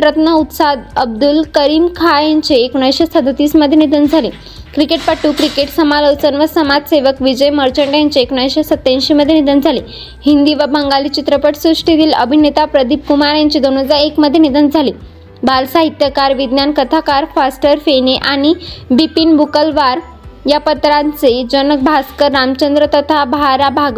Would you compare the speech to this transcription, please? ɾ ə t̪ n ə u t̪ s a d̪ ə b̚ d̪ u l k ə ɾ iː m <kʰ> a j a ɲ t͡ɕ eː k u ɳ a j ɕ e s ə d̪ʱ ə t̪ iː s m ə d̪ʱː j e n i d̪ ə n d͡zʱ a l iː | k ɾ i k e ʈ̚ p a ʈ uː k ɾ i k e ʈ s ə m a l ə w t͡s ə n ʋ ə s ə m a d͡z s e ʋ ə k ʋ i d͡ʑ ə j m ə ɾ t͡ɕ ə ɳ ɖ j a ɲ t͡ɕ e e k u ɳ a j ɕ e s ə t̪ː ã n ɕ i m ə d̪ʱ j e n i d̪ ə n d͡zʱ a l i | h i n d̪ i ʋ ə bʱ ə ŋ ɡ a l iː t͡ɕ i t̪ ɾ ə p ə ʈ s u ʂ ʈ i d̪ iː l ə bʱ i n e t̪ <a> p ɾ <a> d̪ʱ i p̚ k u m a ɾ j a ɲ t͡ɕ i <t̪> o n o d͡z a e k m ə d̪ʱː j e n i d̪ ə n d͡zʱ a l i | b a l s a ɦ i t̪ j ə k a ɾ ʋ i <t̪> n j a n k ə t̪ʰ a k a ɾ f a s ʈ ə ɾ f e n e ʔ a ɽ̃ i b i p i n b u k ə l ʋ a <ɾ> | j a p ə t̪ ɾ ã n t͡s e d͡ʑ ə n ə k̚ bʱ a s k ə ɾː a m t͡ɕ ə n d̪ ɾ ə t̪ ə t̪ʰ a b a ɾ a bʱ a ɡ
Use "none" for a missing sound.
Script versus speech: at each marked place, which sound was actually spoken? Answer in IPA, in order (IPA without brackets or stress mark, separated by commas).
kʰ, a, ə, d̪, d̪, ɾ